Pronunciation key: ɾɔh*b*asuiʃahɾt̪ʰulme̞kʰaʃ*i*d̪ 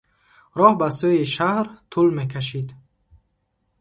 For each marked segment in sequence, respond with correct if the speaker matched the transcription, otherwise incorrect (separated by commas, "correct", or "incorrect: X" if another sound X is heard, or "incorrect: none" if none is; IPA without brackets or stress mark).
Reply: correct, correct